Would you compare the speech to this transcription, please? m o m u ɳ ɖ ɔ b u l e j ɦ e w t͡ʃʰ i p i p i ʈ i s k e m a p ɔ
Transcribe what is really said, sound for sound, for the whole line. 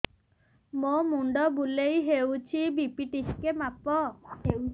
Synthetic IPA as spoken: m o m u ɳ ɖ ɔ b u l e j ɦ e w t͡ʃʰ i b i p i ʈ i s k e m a p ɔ